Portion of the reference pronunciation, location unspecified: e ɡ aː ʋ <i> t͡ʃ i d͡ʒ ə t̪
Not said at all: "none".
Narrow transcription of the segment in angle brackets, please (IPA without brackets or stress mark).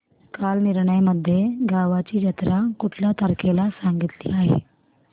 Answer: a